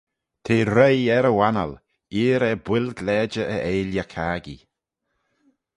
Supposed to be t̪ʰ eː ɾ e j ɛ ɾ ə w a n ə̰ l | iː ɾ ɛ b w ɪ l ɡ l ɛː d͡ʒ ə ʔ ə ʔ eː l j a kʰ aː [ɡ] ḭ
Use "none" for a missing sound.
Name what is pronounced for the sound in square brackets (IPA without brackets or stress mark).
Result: ɡ